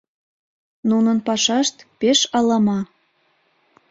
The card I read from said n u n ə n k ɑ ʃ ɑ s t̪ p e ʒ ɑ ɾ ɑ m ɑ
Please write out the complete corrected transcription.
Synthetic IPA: n u n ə n p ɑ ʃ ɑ ʃ t̪ p e ʃ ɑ l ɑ m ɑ